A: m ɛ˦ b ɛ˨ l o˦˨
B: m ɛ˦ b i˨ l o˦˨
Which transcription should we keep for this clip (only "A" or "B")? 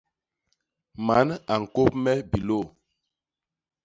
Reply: B